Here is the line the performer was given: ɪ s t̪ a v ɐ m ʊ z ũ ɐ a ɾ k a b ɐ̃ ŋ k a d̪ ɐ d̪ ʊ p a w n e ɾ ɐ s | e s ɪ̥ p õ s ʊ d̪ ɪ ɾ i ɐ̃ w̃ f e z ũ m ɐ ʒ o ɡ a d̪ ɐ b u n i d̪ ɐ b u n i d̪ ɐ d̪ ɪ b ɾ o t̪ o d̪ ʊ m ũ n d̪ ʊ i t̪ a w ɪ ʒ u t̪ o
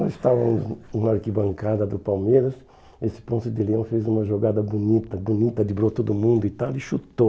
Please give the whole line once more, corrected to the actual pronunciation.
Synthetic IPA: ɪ s t̪ a v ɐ m ʊ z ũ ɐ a ɾ k i b ɐ̃ ŋ k a d̪ ɐ d̪ ʊ p a w m e ɾ ɐ s | e s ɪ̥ p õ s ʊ d̪ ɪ l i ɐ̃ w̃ f e z ũ m ɐ ʒ o ɡ a d̪ ɐ b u n i t̪ ɐ b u n i t̪ ɐ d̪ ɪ b ɾ o t̪ o d̪ ʊ m ũ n d̪ ʊ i t̪ a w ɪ ʃ u t̪ o